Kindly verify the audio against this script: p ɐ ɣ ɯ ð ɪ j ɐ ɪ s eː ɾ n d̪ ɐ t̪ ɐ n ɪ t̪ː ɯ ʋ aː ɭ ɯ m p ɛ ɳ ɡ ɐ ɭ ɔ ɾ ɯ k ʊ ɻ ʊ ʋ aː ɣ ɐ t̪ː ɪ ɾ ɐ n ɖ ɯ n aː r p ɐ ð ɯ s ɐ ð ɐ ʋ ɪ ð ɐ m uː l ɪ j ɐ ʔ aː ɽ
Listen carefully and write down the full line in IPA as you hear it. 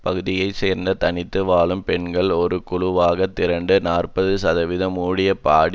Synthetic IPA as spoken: p ɐ ɣ ɯ ð ɪ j ɐ ɪ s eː ɾ n d̪ ɐ t̪ ɐ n ɪ t̪ː ɯ ʋ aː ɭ ɯ m p ɛ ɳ ɡ ɐ ɭ ɔ ɾ ɯ k ʊ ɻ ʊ ʋ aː ɣ ɐ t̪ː ɪ ɾ ɐ ɳ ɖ ɯ n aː r p ɐ ð ɯ s ɐ ð ɐ ʋ ɪ ð ɐ m uː ɽ ɪ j ɐ p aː ɽ

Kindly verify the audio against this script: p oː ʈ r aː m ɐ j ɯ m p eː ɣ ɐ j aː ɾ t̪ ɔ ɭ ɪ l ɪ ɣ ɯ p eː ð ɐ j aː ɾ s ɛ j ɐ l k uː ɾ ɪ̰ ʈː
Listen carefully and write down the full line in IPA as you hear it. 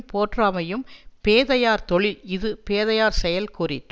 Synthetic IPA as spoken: p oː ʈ r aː m ɐ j ɯ m p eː ð ɐ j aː ɾ t̪ ɔ ɭ ɪ l ɪ ð ɯ p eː ð ɐ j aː ɾ s ɛ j ɐ l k uː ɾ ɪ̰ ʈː

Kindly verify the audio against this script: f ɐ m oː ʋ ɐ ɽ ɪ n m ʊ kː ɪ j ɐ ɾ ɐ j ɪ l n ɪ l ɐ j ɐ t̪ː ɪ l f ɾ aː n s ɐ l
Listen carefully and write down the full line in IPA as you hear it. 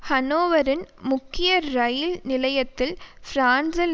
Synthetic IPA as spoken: h ɐ n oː ʋ ɐ ɾ ɪ n m ʊ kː ɪ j ɐ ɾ ɐ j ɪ l n ɪ l ɐ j ɐ t̪ː ɪ l f ɾ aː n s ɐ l

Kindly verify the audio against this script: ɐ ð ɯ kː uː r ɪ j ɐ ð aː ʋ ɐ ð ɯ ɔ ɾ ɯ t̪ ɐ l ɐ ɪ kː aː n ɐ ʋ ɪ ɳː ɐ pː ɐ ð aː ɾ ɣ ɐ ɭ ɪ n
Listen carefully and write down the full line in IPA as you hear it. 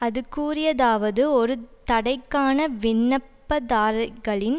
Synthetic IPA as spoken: ɐ ð ɯ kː uː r ɪ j ɐ ð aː ʋ ɐ ð ɯ ɔ ɾ ɯ t̪ ɐ ɽ ɐ ɪ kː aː n ɐ ʋ ɪ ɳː ɐ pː ɐ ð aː ɾ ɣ ɐ ɭ ɪ n

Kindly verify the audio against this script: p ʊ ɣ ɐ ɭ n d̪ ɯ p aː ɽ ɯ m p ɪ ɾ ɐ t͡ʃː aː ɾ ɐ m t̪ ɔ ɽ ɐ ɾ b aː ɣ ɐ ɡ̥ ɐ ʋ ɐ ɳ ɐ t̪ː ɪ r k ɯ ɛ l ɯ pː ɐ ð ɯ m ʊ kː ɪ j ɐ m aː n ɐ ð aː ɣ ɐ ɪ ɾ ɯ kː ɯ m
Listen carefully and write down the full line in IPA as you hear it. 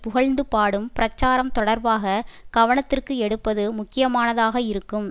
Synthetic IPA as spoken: p ʊ ɣ ɐ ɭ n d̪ ɯ p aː ɽ ɯ m p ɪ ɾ ɐ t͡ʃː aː ɾ ɐ m t̪ ɔ ɽ ɐ ɾ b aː ɣ ɐ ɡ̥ ɐ ʋ ɐ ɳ ɐ t̪ː ɪ r k ɯ ɛ ɽ ɯ pː ɐ ð ɯ m ʊ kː ɪ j ɐ m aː n ɐ ð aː ɣ ɐ ɪ ɾ ɯ kː ɯ m

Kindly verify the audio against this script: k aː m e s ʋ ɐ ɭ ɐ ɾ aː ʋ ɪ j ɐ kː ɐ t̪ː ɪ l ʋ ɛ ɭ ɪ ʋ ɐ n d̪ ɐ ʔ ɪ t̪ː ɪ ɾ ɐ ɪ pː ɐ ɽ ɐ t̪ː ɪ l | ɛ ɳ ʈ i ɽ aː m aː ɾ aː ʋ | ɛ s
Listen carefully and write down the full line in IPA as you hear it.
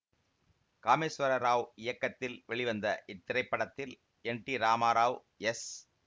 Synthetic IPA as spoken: k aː m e s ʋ ɐ ɾ ɐ ɾ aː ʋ ɪ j ɐ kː ɐ t̪ː ɪ l ʋ ɛ ɭ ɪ ʋ ɐ n d̪ ɐ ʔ ɪ t̪ː ɪ ɾ ɐ ɪ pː ɐ ɽ ɐ t̪ː ɪ l | ɛ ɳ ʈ i ɾ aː m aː ɾ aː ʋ | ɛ s

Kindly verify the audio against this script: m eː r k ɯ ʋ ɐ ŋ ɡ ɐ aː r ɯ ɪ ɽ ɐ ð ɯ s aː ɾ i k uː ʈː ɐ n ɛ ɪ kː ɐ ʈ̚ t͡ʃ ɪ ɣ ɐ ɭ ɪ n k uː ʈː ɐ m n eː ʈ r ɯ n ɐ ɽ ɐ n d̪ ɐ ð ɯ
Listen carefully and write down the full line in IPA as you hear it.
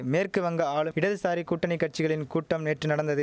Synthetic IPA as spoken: m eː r k ɯ ʋ ɐ ŋ ɡ ɐ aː ɭ ɯ ɪ ɽ ɐ ð ɯ s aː ɾ i k uː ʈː ɐ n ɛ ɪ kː ɐ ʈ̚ t͡ʃ ɪ ɣ ɐ ɭ ɪ n k uː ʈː ɐ m n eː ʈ r ɯ n ɐ ɽ ɐ n d̪ ɐ ð ɯ

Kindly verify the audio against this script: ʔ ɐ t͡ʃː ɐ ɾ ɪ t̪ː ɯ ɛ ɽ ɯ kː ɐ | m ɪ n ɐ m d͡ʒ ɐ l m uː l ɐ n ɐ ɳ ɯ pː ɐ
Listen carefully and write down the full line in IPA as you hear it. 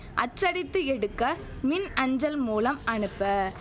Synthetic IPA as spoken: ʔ ɐ t͡ʃː ɐ ɽ ɪ t̪ː ɯ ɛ ɽ ɯ kː ɐ | m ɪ n ɐ ɲ d͡ʒ ɐ l m uː l ɐ m ɐ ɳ ɯ pː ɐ

